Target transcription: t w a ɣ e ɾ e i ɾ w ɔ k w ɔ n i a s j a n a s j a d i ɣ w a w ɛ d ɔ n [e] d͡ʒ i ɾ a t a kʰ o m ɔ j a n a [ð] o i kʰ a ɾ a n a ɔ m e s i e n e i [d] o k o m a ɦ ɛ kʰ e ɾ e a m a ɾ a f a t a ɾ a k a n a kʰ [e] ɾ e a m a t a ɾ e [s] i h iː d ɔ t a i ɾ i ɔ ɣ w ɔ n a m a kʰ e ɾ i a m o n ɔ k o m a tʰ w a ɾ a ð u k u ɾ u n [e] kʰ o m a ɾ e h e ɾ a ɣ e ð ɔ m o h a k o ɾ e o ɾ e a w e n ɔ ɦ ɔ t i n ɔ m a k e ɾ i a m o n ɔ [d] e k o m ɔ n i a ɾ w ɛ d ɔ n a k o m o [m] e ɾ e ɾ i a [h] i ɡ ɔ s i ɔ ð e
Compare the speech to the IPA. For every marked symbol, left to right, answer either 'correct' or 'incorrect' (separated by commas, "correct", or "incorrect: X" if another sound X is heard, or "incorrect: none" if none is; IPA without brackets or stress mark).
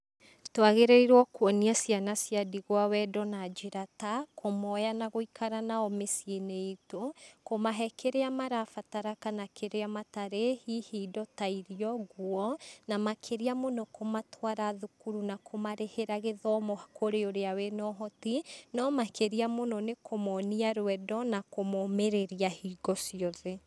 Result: incorrect: a, incorrect: ɣ, incorrect: t, correct, incorrect: h, incorrect: a, incorrect: n, correct, correct